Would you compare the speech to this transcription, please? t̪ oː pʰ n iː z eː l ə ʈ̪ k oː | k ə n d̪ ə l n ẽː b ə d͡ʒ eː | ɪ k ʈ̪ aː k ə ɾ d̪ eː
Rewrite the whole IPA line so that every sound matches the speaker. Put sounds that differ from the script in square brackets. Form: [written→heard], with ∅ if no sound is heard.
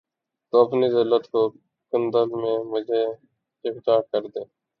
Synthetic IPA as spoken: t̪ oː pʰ n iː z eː l ə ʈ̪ k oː | k ə n d̪ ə l [n→m] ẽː [b→m] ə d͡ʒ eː | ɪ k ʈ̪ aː k ə ɾ d̪ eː